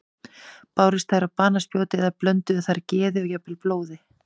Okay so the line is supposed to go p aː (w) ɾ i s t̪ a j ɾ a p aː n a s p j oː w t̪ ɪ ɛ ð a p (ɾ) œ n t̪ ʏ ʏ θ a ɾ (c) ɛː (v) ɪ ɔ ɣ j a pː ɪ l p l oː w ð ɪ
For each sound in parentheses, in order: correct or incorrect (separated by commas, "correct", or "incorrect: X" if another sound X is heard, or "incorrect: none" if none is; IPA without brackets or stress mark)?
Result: correct, incorrect: l, correct, incorrect: ð